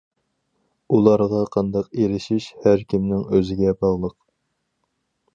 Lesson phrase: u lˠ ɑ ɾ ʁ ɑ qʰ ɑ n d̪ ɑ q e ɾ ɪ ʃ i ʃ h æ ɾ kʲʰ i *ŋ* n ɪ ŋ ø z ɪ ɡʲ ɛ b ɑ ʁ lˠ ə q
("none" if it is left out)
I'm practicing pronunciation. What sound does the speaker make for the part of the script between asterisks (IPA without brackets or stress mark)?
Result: m